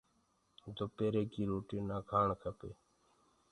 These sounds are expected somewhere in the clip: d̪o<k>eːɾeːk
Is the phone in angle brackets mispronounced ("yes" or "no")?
yes